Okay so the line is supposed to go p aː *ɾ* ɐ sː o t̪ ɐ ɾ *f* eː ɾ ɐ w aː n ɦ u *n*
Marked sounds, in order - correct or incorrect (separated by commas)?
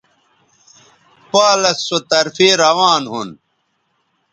incorrect, correct, correct